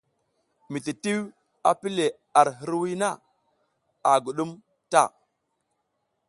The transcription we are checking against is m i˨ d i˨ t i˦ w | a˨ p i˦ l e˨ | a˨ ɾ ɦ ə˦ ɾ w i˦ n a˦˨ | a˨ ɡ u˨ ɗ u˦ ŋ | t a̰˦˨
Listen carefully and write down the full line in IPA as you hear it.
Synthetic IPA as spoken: m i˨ t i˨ t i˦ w | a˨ p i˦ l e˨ | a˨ ɾ ɦ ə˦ ɾ w i˦ n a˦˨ | a˨ ɡ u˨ ɗ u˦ m | t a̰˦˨